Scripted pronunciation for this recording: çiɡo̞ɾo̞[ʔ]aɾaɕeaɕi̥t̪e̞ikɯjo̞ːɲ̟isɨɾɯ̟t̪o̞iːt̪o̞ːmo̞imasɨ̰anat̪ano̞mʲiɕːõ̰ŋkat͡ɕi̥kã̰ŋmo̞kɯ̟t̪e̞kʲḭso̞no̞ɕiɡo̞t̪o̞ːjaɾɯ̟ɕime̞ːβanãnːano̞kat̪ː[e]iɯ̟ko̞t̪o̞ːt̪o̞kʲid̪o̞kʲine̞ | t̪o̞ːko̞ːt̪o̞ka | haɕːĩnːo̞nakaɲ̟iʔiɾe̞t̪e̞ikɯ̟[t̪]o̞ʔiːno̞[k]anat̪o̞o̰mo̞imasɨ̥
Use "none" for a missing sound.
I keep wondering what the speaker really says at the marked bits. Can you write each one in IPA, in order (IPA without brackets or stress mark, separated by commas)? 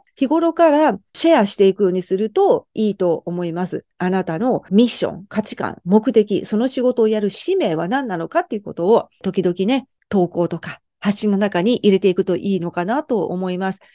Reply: k, e, t̪, k